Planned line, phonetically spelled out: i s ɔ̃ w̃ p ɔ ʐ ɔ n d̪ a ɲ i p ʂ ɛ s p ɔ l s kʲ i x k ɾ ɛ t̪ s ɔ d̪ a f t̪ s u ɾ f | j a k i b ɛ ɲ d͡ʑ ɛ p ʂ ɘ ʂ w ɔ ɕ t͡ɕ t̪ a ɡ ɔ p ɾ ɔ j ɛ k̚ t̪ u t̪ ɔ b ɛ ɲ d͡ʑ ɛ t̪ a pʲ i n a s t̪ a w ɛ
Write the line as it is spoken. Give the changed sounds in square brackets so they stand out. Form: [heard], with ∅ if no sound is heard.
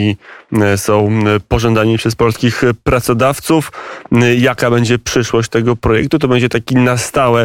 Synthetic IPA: i s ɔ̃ w̃ p ɔ ʐ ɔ n d̪ a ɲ i p ʂ ɛ s p ɔ l s kʲ i x [p] ɾ [a] t̪ s ɔ d̪ a f t̪ s u [∅] f | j a k [a] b ɛ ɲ d͡ʑ ɛ p ʂ ɘ ʂ w ɔ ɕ t͡ɕ t̪ [ɛ] ɡ ɔ p ɾ ɔ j ɛ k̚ t̪ u t̪ ɔ b ɛ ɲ d͡ʑ ɛ t̪ a [kʲ] i n a s t̪ a w ɛ